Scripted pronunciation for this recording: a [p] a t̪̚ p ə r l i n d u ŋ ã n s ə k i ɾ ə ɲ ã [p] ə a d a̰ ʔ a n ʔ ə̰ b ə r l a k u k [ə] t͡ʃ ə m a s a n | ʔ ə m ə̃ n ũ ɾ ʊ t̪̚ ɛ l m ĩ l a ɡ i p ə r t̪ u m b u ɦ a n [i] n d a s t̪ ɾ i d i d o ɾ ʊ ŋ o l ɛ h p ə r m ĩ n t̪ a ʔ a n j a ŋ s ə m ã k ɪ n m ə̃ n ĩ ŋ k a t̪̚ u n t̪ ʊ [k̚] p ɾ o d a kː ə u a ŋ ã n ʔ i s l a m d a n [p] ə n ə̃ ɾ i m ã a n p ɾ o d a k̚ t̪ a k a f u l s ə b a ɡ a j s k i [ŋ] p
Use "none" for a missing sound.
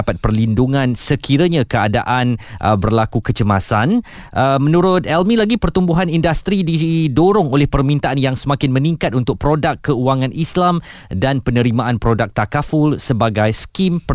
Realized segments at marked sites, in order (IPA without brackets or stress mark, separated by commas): p, k, ə, i, k̚, p, m